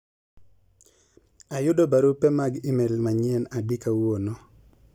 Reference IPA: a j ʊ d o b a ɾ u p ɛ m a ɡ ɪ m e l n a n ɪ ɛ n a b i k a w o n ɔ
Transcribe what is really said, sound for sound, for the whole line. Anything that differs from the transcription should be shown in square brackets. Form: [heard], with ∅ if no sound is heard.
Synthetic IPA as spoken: a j ʊ d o b a ɾ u p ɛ m a ɡ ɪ m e l [m] a [ɲ] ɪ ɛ n a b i k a w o n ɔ

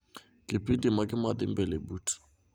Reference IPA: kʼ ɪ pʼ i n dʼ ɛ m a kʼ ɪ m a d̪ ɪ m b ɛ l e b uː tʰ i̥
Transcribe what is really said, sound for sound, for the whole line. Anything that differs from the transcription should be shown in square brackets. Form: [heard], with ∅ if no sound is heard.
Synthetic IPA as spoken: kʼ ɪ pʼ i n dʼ [i] m a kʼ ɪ m a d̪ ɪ m b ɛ l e b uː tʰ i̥

